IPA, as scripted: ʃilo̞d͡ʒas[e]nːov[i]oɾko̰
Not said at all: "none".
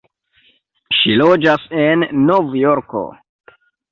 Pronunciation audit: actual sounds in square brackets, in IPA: e, j

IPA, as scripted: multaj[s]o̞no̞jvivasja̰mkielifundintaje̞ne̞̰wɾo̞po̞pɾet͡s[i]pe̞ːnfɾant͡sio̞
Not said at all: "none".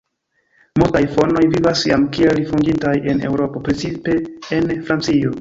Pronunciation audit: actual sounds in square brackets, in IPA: f, i

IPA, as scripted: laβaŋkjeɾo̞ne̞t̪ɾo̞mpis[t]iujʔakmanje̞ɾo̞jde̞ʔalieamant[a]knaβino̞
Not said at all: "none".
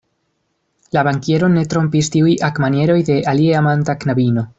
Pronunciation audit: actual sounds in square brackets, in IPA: t, a

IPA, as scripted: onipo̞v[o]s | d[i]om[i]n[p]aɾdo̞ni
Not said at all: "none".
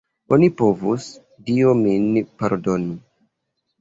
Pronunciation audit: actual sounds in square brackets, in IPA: u, i, i, p

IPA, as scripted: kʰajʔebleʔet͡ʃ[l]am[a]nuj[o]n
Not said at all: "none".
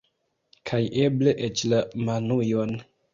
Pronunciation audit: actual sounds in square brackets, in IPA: l, a, o

